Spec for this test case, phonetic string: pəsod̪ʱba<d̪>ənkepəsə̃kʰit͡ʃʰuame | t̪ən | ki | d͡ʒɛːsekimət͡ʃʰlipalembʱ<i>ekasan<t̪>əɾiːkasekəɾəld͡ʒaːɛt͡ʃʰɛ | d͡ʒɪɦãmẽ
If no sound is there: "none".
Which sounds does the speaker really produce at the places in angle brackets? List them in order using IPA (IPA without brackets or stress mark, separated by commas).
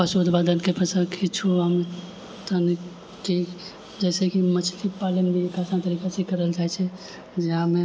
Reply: d̪, i, t̪